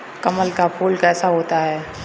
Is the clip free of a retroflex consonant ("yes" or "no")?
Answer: yes